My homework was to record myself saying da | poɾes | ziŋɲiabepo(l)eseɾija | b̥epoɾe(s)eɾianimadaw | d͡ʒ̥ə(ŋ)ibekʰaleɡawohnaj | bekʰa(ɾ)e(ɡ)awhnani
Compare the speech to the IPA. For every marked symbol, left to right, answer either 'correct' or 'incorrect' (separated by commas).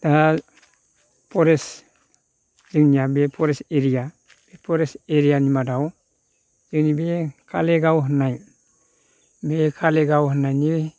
incorrect, correct, incorrect, incorrect, correct